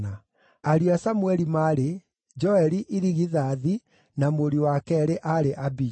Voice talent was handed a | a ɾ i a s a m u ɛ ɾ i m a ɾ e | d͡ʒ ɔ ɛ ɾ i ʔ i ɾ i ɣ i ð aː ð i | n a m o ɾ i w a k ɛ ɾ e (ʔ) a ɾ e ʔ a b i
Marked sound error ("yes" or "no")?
no